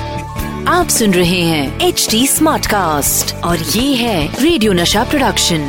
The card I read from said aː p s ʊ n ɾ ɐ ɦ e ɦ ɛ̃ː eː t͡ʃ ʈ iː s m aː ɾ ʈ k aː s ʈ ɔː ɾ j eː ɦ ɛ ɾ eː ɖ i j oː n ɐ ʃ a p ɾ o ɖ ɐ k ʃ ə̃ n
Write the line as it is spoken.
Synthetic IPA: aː p s ʊ n ɾ ɐ ɦ e ɦ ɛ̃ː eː t͡ʃ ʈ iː s m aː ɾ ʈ k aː s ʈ ɔː ɾ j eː ɦ ɛ ɾ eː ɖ i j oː n ɐ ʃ a p ɾ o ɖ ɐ k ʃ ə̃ n